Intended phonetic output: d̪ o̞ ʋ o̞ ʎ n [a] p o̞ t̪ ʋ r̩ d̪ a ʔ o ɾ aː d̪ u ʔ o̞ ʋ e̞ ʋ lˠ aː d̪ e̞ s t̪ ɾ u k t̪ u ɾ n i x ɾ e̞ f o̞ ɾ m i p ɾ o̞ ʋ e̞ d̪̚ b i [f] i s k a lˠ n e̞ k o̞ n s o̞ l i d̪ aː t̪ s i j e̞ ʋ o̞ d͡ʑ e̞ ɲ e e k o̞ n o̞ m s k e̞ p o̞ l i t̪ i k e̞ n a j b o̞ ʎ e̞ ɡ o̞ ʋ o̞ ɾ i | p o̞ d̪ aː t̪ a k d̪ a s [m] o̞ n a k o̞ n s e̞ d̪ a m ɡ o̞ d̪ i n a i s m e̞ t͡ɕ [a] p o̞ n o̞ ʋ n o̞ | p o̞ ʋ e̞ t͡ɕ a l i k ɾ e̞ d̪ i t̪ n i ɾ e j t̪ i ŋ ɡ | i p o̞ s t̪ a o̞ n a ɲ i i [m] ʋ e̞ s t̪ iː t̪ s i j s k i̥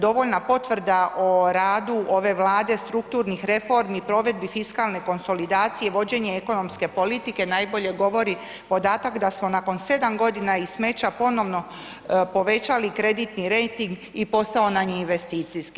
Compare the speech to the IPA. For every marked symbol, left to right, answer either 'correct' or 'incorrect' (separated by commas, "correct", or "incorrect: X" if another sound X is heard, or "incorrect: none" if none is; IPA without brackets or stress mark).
correct, correct, correct, correct, incorrect: n